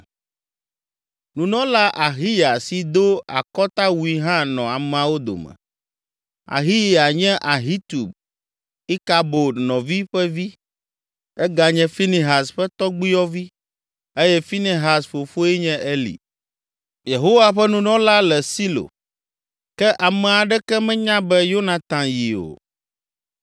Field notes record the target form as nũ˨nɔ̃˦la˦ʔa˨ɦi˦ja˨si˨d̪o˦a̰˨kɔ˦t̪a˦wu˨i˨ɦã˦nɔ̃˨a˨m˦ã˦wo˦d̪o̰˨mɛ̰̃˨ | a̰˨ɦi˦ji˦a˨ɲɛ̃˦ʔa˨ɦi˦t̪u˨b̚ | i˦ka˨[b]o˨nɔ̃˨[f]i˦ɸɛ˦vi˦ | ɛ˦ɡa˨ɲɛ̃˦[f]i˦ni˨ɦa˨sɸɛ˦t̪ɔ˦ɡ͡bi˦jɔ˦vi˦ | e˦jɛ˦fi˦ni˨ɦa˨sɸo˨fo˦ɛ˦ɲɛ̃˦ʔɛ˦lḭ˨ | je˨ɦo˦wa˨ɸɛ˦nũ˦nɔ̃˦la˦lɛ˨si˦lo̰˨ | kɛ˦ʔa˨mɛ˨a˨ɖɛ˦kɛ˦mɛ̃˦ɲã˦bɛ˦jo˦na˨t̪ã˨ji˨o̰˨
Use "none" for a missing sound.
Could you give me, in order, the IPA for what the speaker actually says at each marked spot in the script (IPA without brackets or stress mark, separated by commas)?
b, v, f